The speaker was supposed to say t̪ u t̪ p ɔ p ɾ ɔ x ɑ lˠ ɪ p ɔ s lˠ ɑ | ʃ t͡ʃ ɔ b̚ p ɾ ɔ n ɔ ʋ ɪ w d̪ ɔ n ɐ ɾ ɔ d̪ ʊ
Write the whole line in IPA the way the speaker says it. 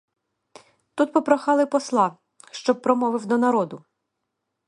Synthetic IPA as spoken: t̪ u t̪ p ɔ p ɾ ɔ x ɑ lˠ ɪ p ɔ s lˠ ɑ | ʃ t͡ʃ ɔ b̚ p ɾ ɔ m ɔ ʋ ɪ w d̪ ɔ n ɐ ɾ ɔ d̪ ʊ